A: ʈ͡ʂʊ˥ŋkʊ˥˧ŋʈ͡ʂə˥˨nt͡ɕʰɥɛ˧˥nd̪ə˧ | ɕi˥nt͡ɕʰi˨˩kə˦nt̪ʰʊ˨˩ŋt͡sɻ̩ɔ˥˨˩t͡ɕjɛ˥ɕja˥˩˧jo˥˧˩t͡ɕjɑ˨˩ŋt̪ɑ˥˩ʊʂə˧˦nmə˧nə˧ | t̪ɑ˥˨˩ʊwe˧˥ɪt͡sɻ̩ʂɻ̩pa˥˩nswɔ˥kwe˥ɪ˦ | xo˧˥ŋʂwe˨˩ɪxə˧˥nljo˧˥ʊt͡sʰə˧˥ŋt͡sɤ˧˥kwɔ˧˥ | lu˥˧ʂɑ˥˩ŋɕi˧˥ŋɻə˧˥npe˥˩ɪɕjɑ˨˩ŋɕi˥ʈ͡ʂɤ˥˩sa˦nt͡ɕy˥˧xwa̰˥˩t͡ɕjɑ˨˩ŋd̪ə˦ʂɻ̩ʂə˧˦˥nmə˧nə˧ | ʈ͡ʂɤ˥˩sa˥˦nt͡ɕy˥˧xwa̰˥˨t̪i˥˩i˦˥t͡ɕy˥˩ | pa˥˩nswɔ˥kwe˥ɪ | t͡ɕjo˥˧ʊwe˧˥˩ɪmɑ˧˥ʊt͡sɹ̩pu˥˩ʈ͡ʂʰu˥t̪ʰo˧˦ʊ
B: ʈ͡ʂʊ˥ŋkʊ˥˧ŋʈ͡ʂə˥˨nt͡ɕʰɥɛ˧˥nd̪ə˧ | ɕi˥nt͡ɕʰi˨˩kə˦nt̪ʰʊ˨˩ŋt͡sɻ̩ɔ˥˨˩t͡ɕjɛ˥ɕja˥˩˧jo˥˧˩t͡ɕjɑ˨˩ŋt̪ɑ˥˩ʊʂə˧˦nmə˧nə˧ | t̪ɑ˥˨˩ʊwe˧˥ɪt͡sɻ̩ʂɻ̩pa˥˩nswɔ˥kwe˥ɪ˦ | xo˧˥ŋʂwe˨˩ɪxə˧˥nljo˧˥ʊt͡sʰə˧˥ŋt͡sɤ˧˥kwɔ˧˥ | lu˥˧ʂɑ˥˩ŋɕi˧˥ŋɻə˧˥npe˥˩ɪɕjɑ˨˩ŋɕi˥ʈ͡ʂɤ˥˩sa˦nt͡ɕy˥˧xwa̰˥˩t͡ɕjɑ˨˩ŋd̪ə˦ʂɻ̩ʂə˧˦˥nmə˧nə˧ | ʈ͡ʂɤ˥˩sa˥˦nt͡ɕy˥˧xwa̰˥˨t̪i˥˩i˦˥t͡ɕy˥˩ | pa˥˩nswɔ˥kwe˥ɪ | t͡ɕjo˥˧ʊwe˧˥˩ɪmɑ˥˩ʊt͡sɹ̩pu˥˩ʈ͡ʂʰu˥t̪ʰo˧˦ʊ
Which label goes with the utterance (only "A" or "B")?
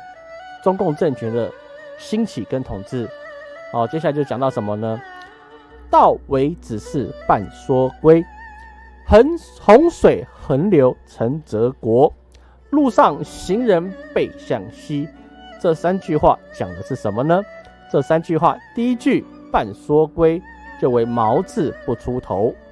A